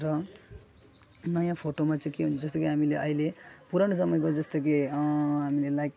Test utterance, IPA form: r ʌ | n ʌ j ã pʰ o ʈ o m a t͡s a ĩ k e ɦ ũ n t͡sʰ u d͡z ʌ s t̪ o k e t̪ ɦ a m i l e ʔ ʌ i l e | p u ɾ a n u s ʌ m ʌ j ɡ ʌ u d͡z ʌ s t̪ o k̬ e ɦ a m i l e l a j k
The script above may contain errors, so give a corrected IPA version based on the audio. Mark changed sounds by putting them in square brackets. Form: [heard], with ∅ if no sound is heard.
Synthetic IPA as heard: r ʌ | n ʌ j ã pʰ o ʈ o m a t͡s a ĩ k e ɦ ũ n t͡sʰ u d͡z ʌ s t̪ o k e [∅] ɦ a m i l e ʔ ʌ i l e | p u ɾ a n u s ʌ m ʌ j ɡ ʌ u d͡z ʌ s t̪ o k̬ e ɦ a m i l e l a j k